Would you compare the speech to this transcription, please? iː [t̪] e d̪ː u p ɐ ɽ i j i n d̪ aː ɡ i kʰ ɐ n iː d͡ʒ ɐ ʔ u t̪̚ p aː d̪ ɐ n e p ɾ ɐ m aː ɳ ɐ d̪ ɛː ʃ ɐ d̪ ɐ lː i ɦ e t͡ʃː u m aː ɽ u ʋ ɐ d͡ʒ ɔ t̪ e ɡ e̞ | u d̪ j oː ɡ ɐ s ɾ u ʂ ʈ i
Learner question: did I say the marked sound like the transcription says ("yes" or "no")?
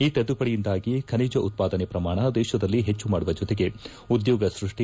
yes